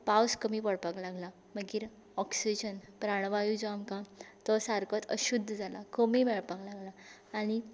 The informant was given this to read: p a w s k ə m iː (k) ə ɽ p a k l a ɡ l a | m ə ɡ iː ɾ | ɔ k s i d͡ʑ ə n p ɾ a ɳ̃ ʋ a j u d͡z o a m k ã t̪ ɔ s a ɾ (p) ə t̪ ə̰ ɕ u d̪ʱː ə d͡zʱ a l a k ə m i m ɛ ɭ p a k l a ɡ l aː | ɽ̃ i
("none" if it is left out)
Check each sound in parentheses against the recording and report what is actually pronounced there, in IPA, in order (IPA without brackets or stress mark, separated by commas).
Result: p, k